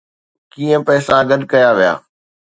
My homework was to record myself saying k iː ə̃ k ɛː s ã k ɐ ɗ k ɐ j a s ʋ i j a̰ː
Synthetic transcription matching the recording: k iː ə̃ p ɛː s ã ɡ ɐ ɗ k ɐ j a ʋ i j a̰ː